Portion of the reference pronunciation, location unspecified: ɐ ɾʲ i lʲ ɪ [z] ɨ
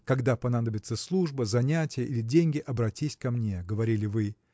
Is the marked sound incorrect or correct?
incorrect